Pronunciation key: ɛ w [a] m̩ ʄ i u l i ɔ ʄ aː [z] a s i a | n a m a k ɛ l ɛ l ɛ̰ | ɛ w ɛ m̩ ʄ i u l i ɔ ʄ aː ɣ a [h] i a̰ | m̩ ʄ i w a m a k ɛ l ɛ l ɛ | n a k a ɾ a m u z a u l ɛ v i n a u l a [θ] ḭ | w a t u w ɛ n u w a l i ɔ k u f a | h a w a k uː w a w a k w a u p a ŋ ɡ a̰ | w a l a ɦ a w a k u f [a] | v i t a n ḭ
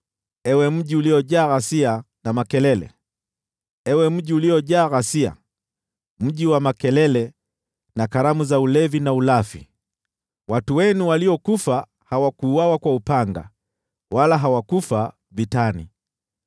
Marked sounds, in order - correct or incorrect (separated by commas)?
incorrect, incorrect, incorrect, incorrect, correct